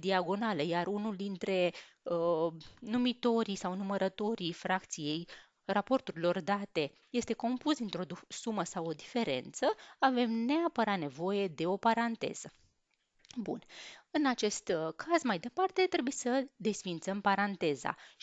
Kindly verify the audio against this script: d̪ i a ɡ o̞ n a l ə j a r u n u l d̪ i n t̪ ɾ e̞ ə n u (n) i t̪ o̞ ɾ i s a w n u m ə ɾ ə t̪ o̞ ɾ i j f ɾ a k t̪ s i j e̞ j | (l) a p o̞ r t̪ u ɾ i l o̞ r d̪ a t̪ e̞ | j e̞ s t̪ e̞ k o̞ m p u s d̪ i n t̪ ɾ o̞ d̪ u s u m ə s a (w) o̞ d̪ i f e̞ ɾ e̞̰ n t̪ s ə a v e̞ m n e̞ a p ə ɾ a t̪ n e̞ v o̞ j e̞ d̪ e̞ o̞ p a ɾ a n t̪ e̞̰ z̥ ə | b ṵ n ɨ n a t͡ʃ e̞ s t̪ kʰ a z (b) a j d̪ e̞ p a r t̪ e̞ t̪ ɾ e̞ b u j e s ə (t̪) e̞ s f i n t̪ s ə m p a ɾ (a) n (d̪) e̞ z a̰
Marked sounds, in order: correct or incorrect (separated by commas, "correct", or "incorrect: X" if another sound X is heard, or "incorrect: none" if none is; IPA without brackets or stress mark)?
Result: incorrect: m, incorrect: r, correct, incorrect: m, incorrect: d̪, correct, incorrect: t̪